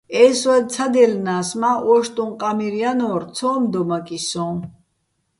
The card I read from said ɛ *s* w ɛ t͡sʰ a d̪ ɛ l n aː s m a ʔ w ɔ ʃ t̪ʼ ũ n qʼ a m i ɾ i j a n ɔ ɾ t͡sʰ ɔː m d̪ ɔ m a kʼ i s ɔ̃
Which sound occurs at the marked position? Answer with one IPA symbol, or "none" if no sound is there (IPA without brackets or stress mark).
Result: s